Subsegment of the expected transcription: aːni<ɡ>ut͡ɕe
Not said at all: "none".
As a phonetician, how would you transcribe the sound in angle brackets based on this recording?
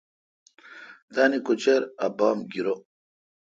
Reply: k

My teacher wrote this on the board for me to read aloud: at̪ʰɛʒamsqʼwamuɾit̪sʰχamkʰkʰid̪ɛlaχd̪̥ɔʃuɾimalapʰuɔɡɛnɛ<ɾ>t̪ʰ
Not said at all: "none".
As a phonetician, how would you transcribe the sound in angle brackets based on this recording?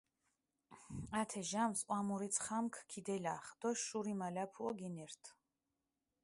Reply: ɾ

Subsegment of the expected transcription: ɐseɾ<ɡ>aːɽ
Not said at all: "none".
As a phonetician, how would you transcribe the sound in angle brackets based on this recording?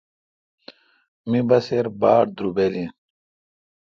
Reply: b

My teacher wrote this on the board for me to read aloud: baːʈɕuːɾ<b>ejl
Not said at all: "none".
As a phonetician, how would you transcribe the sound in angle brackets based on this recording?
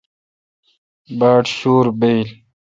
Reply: b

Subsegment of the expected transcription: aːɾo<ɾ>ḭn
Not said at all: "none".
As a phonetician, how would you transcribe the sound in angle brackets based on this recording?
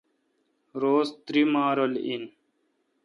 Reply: l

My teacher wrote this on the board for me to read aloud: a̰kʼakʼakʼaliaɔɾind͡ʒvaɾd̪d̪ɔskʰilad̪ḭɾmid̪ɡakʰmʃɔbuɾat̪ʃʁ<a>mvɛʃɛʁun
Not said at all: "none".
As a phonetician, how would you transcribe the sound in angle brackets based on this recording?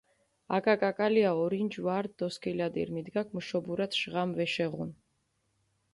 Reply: a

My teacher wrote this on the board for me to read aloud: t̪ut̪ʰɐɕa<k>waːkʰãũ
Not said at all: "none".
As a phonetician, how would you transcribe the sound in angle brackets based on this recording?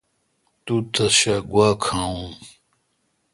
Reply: ɡ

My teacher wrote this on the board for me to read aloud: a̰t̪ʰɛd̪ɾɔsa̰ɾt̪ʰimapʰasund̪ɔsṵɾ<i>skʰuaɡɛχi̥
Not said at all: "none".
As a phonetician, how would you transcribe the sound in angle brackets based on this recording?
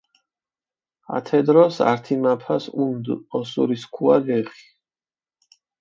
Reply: i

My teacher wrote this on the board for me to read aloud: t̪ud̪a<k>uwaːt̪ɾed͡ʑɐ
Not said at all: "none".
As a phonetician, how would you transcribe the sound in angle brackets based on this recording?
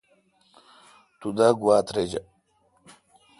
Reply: ɡ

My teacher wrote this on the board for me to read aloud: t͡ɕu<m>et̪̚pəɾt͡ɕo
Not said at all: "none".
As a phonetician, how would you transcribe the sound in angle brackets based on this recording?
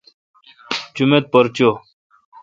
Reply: m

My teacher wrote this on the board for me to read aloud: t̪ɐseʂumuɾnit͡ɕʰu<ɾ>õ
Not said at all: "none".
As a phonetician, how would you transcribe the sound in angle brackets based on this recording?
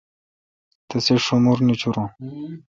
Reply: ɾ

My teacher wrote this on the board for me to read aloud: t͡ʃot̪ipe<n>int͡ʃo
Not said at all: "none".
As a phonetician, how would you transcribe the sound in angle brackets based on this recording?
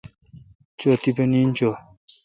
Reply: n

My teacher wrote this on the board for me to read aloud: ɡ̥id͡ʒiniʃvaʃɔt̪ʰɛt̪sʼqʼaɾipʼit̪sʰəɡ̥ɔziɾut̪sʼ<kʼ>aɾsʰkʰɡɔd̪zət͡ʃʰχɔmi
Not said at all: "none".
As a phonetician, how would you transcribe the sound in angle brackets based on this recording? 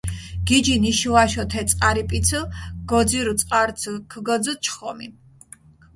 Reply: qʼ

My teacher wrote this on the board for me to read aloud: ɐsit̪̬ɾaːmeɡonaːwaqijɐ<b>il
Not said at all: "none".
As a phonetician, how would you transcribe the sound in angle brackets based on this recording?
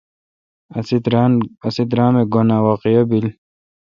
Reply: b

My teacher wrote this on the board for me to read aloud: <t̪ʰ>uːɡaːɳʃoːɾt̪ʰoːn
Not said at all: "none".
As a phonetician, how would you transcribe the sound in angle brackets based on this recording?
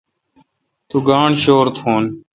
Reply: t̪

